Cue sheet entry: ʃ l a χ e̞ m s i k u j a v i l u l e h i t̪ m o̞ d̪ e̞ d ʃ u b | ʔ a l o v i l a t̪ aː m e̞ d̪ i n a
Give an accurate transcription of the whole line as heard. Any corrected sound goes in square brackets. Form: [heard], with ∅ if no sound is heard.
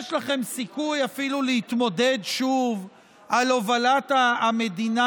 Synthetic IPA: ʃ l a χ e̞ m s i k u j a [f] i l u l e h i t̪ m o̞ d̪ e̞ d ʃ u [v] | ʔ a l o v [a] l a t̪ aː m e̞ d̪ i n a